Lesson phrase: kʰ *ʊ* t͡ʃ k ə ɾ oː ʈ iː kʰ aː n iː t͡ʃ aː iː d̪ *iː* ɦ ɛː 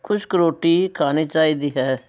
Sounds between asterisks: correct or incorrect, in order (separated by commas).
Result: correct, correct